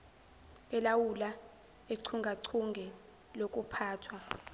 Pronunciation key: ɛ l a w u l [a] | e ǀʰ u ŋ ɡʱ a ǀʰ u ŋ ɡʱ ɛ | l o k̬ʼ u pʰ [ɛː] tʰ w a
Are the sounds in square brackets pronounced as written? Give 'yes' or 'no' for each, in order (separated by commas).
yes, no